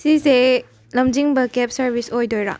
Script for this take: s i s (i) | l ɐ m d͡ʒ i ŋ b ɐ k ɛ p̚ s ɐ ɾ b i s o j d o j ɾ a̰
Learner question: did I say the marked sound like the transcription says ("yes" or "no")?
no